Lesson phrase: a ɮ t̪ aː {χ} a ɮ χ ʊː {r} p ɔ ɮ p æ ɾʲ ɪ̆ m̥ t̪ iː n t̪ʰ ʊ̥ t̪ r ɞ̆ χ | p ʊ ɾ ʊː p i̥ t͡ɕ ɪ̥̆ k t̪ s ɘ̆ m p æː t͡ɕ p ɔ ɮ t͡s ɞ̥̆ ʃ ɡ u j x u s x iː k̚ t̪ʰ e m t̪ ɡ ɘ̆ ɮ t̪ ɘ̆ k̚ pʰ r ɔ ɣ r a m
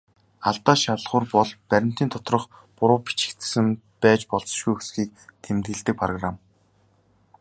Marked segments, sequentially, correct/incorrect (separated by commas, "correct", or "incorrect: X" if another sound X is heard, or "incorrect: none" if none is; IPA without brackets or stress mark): incorrect: ʃ, correct